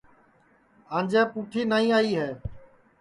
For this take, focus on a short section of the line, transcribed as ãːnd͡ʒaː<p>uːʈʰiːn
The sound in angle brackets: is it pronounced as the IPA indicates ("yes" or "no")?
yes